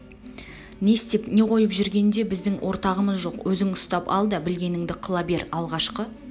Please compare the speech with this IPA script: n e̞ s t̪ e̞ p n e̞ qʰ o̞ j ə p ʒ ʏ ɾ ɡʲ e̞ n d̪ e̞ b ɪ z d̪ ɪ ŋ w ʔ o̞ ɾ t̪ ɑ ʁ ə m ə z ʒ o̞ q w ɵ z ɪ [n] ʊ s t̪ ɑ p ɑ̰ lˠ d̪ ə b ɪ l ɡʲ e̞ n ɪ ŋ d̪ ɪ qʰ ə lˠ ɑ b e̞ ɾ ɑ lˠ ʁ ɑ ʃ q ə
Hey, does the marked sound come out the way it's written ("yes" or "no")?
no